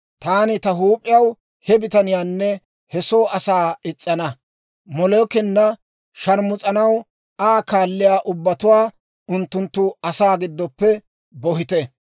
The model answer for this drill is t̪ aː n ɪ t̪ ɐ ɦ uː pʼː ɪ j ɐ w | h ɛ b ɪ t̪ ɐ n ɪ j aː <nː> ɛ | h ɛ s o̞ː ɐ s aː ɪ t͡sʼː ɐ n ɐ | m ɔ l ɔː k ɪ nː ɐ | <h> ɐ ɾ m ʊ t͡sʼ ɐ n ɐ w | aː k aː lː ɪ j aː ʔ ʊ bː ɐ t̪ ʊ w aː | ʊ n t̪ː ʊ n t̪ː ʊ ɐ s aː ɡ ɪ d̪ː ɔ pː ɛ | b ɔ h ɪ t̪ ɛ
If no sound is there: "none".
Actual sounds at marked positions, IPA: nː, ʃ

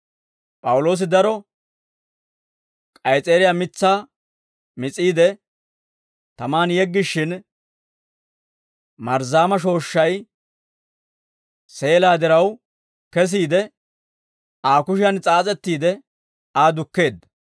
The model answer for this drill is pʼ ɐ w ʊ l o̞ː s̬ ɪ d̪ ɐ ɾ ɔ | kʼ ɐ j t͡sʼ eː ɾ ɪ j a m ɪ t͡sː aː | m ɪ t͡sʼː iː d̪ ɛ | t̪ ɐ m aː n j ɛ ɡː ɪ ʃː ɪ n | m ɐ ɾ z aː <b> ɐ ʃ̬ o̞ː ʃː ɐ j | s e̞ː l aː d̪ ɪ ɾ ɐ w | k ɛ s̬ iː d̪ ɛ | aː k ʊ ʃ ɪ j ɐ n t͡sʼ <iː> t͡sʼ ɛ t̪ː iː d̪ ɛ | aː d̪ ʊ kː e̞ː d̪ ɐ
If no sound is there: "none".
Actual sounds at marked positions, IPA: m, aː

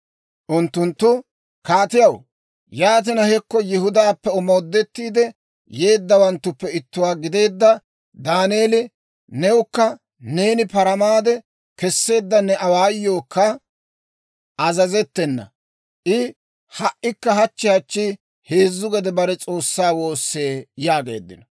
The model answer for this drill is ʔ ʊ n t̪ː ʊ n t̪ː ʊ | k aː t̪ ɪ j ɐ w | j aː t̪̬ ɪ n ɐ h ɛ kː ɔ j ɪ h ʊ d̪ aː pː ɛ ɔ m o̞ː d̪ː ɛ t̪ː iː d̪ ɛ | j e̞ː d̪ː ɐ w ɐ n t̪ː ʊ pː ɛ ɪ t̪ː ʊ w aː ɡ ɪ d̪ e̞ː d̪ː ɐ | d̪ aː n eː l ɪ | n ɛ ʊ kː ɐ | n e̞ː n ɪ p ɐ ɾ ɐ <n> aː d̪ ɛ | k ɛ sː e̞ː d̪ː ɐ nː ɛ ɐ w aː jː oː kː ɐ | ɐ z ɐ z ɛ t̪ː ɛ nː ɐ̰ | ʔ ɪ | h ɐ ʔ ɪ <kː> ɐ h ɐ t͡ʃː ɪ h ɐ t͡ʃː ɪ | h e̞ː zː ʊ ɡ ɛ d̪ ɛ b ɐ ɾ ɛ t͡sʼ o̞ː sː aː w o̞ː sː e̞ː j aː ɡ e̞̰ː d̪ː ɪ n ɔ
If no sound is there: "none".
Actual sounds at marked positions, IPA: m, kː

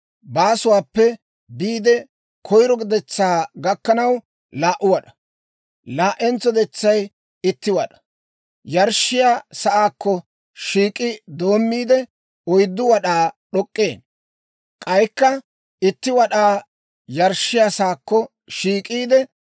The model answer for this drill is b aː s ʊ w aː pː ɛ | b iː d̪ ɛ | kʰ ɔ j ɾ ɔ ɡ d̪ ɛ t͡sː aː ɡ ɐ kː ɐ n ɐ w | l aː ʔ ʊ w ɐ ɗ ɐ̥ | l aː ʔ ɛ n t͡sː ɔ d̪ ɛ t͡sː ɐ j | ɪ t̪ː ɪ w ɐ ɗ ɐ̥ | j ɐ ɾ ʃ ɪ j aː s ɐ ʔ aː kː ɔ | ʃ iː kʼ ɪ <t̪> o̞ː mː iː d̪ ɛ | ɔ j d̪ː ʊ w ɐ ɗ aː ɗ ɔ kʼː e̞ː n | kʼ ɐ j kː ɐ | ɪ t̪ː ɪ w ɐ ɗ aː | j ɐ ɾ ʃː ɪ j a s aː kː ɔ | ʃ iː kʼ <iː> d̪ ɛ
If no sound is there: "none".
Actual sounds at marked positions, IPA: d̪, iː

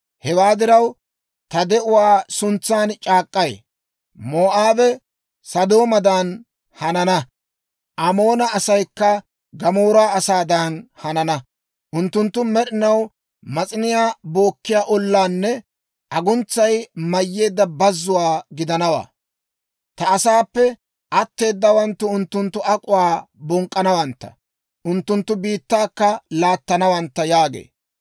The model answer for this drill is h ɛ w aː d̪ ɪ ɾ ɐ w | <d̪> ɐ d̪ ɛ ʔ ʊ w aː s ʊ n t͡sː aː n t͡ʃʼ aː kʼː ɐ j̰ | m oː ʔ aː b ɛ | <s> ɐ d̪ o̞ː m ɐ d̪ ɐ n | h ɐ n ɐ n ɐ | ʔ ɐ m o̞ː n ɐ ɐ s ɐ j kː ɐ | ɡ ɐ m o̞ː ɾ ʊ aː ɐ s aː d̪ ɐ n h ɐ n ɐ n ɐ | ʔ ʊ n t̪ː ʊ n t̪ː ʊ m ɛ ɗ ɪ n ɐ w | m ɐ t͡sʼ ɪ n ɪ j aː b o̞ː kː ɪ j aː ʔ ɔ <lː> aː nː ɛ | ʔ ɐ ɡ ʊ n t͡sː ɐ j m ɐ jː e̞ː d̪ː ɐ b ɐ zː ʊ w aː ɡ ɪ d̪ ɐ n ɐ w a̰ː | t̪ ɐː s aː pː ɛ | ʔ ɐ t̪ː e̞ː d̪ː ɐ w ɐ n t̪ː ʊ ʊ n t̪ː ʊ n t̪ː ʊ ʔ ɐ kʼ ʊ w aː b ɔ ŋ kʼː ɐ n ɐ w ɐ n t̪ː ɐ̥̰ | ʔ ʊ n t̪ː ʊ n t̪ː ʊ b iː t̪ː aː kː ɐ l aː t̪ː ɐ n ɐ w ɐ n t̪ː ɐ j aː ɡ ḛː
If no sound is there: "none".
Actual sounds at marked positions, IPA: t̪, s, lː

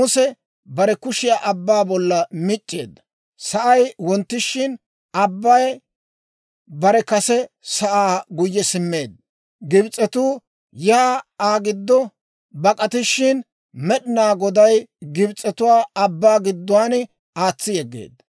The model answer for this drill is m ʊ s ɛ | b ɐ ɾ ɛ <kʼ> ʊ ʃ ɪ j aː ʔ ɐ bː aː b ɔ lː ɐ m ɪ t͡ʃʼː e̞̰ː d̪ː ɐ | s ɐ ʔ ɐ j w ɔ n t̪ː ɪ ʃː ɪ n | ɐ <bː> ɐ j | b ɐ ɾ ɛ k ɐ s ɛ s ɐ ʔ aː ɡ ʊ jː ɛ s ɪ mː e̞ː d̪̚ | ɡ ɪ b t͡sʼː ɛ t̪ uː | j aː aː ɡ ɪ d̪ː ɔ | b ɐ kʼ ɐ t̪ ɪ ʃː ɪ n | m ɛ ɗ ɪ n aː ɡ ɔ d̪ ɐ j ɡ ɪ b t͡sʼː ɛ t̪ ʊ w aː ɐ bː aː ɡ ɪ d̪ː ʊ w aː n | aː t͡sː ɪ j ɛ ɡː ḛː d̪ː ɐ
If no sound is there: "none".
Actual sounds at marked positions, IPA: k, bː

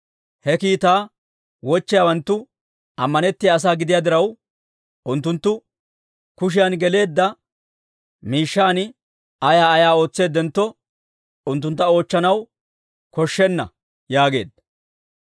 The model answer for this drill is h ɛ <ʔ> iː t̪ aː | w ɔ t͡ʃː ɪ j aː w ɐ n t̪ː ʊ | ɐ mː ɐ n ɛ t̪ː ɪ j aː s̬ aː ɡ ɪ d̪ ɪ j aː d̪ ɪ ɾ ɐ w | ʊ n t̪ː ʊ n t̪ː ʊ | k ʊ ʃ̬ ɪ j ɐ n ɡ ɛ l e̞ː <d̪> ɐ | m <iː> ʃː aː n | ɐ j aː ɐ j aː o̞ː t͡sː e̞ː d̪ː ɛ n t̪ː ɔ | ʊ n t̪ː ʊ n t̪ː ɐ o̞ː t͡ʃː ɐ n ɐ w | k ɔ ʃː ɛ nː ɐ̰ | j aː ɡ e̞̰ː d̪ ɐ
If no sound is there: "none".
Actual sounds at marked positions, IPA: k, d̪ː, iː

